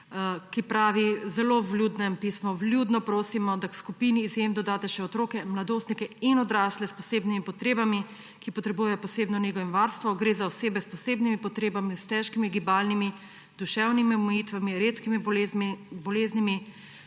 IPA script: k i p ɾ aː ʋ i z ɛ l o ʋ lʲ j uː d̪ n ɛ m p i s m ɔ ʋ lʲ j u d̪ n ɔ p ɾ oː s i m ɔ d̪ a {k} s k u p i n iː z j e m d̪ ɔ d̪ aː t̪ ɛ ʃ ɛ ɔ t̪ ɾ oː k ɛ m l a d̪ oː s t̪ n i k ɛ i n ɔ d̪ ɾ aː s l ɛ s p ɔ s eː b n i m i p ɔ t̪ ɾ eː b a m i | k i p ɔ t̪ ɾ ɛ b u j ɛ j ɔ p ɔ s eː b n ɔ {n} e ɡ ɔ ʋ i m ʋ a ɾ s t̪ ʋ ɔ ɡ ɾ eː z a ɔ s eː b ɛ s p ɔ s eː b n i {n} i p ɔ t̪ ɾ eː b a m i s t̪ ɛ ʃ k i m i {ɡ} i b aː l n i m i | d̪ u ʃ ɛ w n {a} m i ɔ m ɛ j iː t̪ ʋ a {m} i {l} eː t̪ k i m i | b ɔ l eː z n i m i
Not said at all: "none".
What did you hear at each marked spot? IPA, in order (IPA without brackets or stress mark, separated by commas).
k, n, m, ɡ, i, m, ɾ